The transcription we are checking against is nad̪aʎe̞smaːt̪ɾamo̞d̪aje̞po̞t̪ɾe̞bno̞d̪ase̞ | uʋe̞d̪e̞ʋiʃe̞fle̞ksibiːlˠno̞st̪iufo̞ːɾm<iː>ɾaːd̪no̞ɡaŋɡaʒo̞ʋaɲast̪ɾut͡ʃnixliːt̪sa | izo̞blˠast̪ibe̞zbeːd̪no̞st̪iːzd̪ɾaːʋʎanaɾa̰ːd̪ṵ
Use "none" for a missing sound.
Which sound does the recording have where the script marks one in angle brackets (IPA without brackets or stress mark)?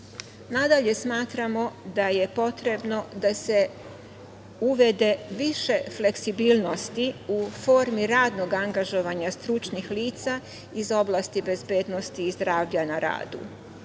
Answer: i